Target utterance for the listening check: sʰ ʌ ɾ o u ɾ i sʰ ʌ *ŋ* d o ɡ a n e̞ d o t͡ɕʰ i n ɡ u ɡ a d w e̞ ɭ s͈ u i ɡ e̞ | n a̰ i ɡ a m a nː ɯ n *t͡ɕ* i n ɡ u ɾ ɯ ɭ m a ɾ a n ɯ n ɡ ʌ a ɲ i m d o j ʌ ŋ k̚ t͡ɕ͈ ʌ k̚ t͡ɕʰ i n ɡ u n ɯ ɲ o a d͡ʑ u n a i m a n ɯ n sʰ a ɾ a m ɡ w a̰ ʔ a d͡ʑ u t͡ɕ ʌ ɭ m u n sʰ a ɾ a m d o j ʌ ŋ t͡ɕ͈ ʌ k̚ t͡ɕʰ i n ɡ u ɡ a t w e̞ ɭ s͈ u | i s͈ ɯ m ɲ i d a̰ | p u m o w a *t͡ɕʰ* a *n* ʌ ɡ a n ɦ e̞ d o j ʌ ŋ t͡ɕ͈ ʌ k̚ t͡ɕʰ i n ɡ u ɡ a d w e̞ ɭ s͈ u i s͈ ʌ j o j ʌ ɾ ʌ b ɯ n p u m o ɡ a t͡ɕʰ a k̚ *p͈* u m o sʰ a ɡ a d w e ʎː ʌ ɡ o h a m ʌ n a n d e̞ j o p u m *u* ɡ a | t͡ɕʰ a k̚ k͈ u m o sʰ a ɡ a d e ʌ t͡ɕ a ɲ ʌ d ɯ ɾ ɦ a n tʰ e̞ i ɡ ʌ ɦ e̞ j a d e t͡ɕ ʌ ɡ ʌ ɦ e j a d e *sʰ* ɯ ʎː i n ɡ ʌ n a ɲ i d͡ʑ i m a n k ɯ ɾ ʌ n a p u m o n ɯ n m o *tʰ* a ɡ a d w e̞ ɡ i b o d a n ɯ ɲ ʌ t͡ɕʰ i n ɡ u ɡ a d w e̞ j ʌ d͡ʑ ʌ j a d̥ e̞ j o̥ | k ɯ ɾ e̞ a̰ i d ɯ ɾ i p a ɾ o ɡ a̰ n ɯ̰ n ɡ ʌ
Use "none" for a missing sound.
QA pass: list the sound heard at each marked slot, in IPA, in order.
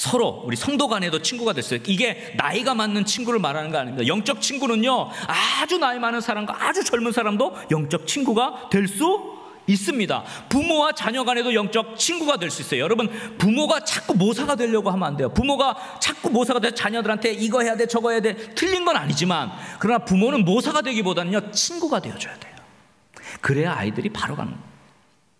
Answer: ŋ, t͡ɕʰ, t͡ɕ, ɲ, k͈, o, tʰ, sʰ

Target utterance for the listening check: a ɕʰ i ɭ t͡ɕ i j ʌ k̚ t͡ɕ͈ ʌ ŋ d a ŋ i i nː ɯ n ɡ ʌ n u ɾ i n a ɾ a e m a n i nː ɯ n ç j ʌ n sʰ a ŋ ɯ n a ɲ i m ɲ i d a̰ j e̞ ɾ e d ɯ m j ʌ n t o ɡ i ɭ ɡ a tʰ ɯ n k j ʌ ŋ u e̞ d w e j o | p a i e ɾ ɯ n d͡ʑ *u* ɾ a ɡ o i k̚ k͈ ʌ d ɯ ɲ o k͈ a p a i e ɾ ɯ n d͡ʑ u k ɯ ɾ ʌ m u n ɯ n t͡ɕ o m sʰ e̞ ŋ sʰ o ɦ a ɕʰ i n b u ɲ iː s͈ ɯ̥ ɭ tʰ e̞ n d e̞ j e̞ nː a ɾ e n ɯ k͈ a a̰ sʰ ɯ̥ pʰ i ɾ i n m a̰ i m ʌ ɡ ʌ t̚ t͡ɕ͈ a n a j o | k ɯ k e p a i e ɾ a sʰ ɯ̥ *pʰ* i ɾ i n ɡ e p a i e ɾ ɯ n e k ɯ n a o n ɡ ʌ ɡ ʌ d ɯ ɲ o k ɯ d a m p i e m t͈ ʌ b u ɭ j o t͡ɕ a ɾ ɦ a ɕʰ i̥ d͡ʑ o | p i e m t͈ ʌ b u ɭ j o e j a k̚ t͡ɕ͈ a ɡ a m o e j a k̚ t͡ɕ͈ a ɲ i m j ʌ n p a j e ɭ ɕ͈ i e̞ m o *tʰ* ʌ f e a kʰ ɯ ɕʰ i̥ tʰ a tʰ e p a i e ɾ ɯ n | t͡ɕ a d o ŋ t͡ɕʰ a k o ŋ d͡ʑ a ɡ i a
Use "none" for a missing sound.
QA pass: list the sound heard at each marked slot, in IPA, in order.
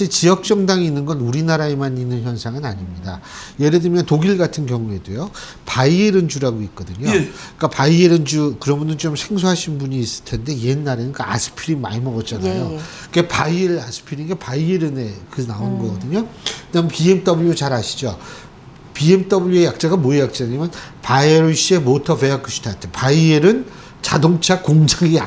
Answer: u, pʰ, tʰ

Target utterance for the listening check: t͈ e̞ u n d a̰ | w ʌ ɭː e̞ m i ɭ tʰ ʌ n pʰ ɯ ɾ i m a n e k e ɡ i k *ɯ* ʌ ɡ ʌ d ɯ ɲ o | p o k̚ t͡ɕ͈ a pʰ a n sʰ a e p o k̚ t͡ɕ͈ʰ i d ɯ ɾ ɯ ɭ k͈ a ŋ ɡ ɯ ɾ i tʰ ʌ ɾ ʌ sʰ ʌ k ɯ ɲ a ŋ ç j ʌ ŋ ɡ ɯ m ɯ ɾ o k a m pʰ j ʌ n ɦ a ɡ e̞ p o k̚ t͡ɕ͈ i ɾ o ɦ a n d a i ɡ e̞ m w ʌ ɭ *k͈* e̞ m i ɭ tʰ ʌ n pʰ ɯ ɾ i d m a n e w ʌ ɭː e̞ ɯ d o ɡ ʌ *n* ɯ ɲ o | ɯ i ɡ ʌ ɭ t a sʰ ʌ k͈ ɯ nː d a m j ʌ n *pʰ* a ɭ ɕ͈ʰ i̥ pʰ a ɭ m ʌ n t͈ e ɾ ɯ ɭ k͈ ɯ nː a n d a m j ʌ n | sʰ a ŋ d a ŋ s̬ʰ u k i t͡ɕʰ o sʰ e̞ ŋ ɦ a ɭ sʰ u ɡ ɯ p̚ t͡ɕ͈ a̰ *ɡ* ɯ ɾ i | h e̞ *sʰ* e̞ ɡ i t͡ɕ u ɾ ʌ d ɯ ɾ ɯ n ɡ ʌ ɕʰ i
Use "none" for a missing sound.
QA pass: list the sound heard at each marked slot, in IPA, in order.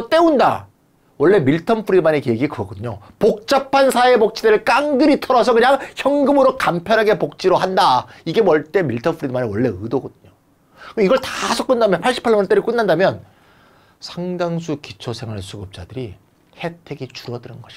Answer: ɯ, t͈, d, pʰ, d, tʰ

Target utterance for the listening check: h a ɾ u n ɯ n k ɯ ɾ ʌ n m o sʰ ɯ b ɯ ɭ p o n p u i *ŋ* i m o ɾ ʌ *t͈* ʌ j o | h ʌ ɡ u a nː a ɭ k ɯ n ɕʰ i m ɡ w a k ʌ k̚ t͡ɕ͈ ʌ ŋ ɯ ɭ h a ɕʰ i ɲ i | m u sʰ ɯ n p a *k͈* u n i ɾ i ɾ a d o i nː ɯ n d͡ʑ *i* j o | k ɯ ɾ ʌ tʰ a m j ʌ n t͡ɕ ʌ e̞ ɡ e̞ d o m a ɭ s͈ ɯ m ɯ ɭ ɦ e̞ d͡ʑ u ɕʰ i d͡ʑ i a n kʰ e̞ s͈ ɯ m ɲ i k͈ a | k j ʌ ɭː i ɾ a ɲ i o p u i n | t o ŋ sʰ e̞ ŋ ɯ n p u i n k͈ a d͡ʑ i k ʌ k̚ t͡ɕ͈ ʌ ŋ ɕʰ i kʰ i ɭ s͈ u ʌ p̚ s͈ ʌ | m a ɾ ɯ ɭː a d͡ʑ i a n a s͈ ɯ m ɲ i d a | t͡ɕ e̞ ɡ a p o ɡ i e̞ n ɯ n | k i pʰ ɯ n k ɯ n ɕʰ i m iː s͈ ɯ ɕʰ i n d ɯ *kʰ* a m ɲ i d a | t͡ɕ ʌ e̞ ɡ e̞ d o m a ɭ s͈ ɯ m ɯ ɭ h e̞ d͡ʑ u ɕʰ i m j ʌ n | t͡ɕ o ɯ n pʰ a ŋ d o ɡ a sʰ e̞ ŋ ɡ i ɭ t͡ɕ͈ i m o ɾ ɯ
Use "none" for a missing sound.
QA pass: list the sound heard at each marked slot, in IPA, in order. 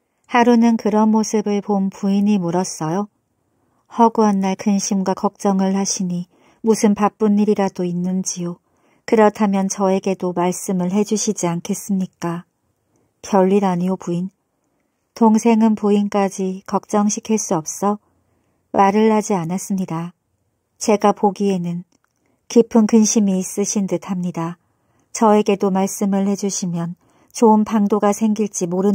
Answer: ɲ, s͈, p͈, i, tʰ

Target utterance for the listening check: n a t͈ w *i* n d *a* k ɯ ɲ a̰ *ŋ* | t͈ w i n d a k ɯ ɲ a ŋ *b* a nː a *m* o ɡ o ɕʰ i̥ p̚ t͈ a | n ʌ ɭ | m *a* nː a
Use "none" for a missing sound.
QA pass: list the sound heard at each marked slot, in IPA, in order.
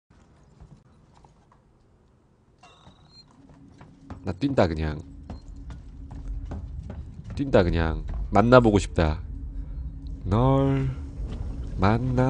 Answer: i, a, ŋ, m, b, a

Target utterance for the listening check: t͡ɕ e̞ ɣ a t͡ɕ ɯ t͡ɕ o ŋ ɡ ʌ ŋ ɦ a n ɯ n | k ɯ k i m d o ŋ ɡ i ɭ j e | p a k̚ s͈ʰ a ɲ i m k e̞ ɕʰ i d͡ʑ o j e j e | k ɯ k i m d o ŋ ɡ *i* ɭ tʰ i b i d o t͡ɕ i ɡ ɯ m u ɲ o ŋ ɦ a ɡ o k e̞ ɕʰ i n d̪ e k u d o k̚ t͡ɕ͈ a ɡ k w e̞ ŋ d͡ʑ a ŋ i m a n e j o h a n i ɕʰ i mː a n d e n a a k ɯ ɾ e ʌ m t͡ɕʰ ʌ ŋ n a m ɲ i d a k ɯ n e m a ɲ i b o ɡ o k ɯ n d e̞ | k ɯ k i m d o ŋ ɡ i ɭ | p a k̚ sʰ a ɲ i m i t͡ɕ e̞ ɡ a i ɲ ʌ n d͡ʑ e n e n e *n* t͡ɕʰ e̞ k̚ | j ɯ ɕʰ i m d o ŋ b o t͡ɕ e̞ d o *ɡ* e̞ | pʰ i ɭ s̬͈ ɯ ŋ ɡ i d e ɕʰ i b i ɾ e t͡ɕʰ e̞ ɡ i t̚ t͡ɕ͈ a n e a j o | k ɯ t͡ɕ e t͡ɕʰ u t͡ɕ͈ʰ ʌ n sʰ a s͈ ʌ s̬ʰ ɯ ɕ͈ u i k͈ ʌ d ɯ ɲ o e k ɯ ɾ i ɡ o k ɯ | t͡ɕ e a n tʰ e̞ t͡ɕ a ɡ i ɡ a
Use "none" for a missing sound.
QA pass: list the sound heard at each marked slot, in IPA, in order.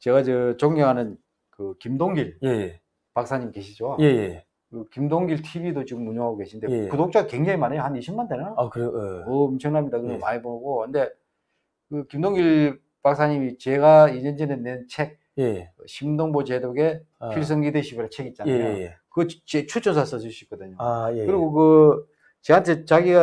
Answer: i, n, ɡ

